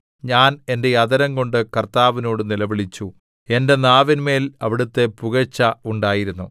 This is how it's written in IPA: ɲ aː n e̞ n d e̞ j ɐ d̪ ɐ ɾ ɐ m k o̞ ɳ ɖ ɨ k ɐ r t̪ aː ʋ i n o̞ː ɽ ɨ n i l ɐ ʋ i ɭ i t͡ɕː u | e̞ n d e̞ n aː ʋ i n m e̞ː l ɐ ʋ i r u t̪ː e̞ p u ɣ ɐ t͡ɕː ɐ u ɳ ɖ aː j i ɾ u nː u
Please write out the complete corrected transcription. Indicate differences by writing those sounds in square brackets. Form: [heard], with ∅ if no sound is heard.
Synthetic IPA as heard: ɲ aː n e̞ n d e̞ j ɐ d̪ ɐ ɾ ɐ [ŋ] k o̞ ɳ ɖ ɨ k ɐ r t̪ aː ʋ i n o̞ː ɽ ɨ n i l ɐ ʋ i ɭ i t͡ɕː u | e̞ n d e̞ n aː ʋ i n m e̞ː l ɐ ʋ i [ɽ] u t̪ː e̞ p u ɣ ɐ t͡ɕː ɐ u ɳ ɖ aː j i ɾ u nː u